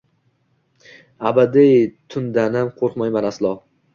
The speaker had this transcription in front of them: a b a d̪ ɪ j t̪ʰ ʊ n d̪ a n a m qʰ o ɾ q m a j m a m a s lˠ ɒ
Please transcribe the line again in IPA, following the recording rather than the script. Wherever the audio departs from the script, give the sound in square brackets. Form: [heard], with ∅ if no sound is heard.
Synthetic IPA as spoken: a b a d̪ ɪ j t̪ʰ ʊ n d̪ a n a m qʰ o ɾ q m a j m a [n] a s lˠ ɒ